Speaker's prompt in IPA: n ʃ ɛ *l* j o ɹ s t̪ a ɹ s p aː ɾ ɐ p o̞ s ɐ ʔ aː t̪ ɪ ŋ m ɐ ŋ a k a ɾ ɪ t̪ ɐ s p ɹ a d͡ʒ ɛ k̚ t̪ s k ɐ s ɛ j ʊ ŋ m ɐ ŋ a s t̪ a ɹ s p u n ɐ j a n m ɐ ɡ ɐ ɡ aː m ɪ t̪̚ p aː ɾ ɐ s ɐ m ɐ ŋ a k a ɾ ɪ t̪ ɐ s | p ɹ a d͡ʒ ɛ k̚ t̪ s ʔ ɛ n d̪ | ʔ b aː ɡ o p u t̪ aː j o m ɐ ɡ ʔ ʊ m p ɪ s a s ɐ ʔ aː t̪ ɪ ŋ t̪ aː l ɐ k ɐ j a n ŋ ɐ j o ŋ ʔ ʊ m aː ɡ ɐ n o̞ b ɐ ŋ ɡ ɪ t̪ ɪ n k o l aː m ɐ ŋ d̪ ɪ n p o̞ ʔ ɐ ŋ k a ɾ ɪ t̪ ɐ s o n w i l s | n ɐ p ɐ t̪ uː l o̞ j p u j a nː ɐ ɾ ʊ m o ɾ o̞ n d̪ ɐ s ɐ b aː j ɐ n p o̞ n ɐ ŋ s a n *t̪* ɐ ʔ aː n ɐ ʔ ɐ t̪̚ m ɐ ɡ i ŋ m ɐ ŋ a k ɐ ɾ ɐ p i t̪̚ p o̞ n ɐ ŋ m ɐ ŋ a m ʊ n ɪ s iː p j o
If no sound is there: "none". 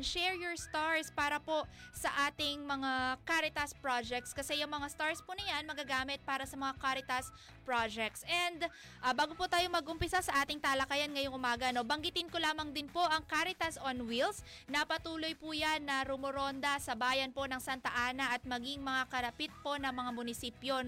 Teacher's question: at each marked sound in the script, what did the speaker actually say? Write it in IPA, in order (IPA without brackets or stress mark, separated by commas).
ɹ, t̪